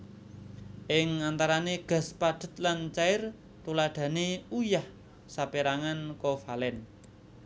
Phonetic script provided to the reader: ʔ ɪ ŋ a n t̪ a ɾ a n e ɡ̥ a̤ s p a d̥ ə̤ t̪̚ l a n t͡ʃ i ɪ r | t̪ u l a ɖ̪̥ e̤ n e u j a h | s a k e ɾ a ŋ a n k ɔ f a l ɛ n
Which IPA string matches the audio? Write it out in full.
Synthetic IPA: ʔ ɪ ŋ a n t̪ a ɾ a n e ɡ̥ a̤ s p a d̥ ə̤ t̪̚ l a n t͡ʃ a ɪ r | t̪ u l a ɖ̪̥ a̤ n e u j a h | s a p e ɾ a ŋ a n k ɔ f a l ɛ n